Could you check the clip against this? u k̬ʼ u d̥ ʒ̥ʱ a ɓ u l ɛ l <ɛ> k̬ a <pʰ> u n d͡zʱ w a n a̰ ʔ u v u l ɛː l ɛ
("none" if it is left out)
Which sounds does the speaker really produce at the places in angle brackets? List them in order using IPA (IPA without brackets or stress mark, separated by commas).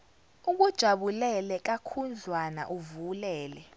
ɛ, kʰ